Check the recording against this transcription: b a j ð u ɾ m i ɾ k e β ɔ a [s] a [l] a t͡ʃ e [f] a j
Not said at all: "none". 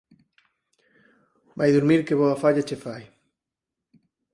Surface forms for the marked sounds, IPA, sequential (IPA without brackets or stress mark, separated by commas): f, ʎ, f